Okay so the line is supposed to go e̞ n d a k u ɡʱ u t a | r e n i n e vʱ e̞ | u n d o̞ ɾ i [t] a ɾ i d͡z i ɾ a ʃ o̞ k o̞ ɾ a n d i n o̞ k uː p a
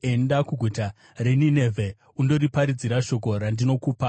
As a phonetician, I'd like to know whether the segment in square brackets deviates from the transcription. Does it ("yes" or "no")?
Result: yes